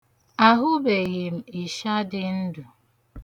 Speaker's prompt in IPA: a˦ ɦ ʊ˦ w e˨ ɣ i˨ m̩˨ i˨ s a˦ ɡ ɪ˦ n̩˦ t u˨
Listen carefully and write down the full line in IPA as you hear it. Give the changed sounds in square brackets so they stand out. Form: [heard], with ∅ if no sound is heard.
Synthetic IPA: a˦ ɦ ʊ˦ [b] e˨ ɣ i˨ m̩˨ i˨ [ʃ] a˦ [d] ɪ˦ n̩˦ [d] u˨